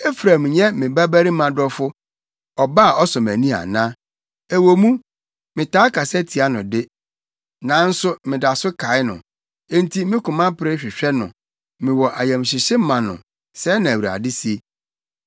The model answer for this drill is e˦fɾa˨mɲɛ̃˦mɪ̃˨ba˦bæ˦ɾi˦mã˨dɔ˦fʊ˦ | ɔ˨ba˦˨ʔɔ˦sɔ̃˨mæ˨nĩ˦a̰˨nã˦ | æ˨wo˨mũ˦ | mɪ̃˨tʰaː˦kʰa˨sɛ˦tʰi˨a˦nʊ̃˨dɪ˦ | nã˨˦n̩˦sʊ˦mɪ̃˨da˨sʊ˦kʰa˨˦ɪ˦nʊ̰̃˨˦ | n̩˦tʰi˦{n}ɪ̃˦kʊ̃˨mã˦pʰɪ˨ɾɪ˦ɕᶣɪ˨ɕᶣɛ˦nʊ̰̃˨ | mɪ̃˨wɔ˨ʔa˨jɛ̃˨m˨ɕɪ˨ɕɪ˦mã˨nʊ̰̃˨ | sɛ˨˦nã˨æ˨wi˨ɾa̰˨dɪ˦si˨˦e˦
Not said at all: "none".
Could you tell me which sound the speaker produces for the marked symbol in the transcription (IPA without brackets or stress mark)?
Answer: m